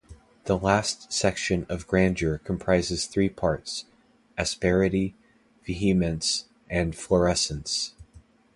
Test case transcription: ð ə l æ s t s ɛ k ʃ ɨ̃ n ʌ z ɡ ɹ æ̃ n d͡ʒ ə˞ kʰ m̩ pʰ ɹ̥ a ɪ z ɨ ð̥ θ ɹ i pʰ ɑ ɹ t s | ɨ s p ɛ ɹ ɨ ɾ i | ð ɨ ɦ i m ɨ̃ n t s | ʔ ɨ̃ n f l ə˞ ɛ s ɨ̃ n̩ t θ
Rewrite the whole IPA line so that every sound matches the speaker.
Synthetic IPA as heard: ð ə l æ s t s ɛ k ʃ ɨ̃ n ʌ v ɡ ɹ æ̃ n d͡ʒ ə˞ kʰ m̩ pʰ ɹ̥ a ɪ z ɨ z̥ θ ɹ i pʰ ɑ ɹ t s | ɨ s p ɛ ɹ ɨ ɾ i | v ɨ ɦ i m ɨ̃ n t s | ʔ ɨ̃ n f l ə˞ ɛ s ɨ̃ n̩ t s